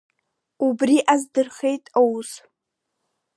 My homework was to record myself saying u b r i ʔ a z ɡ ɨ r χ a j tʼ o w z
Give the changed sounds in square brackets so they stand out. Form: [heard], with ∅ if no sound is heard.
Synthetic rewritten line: u b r i ʔ a z [d] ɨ r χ [e] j tʼ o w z